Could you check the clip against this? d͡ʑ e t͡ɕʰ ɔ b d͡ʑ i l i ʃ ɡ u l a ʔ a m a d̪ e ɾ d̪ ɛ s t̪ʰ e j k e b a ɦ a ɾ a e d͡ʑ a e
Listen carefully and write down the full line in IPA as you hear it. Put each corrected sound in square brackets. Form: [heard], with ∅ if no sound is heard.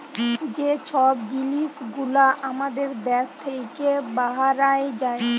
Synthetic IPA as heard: d͡ʑ e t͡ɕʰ ɔ b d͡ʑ i l i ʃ ɡ u l a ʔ a m a d̪ e ɾ d̪ ɛ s t̪ʰ e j k e b a ɦ a ɾ a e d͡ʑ a e

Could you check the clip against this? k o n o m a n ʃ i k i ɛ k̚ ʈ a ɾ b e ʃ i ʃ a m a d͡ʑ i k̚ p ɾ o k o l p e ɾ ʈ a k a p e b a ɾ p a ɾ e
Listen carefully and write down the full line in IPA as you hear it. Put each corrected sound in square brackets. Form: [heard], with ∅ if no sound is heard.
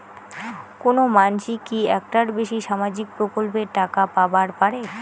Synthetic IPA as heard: k o n o m a n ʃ i k i ɛ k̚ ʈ a ɾ b e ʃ i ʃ a m a d͡ʑ i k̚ p ɾ o k o l p e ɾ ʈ a k a p [a] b a ɾ p a ɾ e

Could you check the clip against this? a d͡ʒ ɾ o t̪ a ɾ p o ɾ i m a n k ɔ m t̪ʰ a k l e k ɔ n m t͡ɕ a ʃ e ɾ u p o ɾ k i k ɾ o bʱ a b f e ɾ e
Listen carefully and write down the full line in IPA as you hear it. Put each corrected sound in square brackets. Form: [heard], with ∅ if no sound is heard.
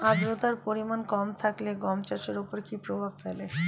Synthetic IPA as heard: a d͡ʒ ɾ o t̪ a ɾ p o ɾ i m a n k ɔ m t̪ʰ a k l e [ɡ] ɔ [∅] m t͡ɕ a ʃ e ɾ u p o ɾ k i [p] ɾ o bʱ a b f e [l] e

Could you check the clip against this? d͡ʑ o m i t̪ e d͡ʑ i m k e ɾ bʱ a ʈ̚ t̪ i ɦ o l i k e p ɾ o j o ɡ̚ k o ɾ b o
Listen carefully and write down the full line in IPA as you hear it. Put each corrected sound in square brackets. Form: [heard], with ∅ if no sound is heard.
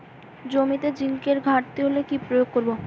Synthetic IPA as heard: d͡ʑ o m i t̪ e d͡ʑ i [ŋ] k e ɾ [ɡʱ] a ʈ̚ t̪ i ɦ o l [e] k [i] p ɾ o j o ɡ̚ k o ɾ b o

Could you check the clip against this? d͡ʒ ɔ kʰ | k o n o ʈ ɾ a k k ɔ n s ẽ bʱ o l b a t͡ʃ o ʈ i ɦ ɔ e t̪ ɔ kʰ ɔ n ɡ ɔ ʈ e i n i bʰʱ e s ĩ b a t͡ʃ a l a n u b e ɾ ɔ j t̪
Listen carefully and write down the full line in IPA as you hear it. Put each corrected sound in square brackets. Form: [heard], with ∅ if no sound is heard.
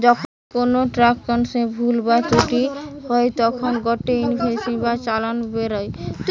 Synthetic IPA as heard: d͡ʒ ɔ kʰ | k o n o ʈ ɾ a k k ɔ n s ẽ bʱ [u] l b a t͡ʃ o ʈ i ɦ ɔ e t̪ ɔ kʰ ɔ n ɡ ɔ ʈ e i n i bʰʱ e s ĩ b a t͡ʃ a l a n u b e ɾ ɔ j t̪

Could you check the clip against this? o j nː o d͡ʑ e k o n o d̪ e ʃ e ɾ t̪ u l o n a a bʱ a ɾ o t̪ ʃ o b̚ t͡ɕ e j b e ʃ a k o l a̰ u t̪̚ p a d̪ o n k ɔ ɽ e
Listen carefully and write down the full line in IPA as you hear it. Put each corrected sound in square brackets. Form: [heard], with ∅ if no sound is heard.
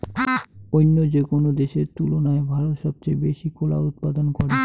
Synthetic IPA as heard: o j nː o d͡ʑ e k o n o d̪ e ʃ e ɾ t̪ u l o n a [e] bʱ a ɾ o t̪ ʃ [ɔ] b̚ t͡ɕ e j b e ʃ [i] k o l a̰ u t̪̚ p a d̪ o n k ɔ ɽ e

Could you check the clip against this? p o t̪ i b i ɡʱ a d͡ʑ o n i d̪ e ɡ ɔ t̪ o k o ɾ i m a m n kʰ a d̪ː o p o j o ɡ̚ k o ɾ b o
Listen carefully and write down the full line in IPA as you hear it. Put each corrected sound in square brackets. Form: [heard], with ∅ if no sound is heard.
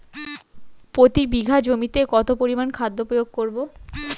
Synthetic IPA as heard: p o t̪ i b i ɡʱ a d͡ʑ o [m] i [t̪] e [k] ɔ t̪ o [p] o ɾ i m a [∅] n kʰ a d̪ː o p o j o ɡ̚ k o ɾ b o

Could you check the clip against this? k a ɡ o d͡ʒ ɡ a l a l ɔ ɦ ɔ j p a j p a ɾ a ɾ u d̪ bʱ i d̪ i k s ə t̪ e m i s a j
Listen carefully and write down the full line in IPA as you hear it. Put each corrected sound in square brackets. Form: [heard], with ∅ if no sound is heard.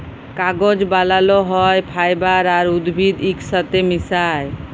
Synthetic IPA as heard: k a ɡ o d͡ʒ [b] a l a l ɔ ɦ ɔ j [pʰ] a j [b] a ɾ a ɾ u d̪ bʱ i d̪ i k s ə t̪ e m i s a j

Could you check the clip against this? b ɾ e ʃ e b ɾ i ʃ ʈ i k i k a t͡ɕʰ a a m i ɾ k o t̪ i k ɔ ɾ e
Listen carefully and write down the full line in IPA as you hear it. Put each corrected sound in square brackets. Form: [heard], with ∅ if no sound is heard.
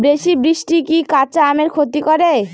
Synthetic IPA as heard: b ɾ e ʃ [i] b ɾ i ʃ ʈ i k i k a [t͡ɕ] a a m [e] ɾ [kʰ] o t̪ i k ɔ ɾ e

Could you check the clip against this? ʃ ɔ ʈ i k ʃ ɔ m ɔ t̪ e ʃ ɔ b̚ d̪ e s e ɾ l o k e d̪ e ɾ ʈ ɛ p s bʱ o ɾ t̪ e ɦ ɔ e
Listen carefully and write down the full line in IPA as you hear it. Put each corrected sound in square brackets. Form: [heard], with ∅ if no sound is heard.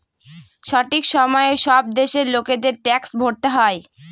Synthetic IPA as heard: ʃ ɔ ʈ i k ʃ ɔ m ɔ [∅] e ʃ ɔ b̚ d̪ e [ʃ] e ɾ l o k e d̪ e ɾ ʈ ɛ [k] s bʱ o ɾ t̪ e ɦ ɔ e

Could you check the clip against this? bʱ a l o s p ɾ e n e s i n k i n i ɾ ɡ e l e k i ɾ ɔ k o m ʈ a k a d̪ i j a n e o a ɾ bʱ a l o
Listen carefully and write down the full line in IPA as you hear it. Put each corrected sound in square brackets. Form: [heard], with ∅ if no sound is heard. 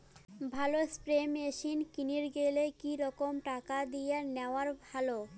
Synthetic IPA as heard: bʱ a l o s p ɾ e [m] e [ʃ] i n k i n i ɾ ɡ e l e k i ɾ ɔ k o m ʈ a k a d̪ i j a n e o a ɾ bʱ a l o

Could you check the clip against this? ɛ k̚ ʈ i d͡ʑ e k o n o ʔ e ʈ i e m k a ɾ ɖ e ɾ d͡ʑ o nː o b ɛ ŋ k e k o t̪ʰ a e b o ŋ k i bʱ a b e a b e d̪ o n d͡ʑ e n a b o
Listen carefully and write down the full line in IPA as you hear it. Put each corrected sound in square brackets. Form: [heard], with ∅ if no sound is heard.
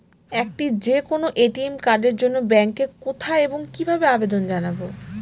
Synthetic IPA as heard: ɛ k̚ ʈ i d͡ʑ e k o n o ʔ e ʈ i e m k a ɾ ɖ e ɾ d͡ʑ o nː o b ɛ ŋ k e k o t̪ʰ a e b o ŋ k i bʱ a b e a b e d̪ o n d͡ʑ [a] n a b o

